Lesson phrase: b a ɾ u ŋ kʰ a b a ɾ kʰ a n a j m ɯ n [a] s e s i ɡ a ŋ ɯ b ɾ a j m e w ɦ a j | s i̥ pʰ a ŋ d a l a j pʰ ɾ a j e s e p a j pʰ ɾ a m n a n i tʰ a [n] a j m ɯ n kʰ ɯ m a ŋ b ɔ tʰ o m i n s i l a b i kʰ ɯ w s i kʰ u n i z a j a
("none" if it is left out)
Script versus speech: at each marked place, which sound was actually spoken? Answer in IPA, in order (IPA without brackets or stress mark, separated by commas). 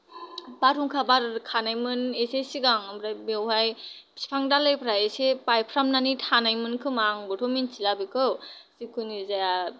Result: e, n